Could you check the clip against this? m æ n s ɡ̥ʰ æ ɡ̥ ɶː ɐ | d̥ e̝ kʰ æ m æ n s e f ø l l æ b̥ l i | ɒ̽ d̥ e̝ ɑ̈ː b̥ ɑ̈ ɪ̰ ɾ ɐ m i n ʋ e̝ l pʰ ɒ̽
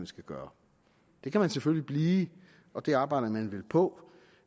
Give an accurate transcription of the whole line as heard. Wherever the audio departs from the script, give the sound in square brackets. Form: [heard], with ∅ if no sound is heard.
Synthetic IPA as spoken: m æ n s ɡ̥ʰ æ ɡ̥ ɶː ɐ | d̥ e̝ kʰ æ m æ n s e f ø l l [i] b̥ l [iː] | ɒ̽ d̥ e̝ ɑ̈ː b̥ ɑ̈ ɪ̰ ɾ ɐ m [æ] n ʋ e̝ l pʰ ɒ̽